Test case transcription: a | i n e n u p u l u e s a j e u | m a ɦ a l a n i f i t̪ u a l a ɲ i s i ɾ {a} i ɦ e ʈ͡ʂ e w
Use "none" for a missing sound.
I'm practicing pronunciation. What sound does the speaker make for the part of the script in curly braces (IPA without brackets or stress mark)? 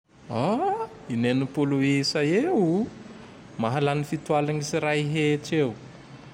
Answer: a